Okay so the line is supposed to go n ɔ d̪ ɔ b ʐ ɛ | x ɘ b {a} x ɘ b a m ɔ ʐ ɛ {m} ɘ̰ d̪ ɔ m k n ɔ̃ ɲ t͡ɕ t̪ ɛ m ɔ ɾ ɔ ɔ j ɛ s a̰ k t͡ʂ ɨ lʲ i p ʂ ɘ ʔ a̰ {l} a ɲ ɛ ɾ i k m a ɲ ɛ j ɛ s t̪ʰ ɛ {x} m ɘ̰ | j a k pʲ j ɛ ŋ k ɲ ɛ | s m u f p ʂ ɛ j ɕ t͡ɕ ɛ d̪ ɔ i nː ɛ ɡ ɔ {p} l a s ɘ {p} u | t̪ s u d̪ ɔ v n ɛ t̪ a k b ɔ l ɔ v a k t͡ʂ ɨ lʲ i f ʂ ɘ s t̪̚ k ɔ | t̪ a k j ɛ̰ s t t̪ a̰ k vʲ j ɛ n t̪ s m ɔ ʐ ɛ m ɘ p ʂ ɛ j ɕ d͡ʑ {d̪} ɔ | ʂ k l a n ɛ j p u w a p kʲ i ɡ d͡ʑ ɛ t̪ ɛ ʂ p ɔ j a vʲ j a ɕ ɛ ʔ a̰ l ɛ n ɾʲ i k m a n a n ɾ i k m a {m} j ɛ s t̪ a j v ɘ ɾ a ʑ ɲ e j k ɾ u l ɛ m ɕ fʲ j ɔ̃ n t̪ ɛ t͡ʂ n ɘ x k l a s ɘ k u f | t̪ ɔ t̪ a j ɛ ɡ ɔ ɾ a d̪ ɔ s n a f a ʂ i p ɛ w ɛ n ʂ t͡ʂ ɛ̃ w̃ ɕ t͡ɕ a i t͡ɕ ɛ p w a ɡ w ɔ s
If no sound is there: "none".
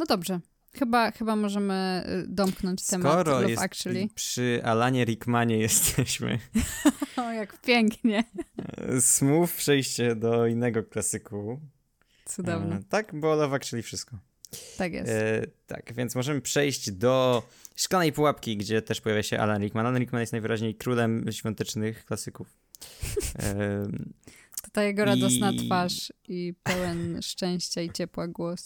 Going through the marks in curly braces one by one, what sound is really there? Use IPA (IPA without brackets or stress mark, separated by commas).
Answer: a, m, l, ɕ, k, k, d̪, n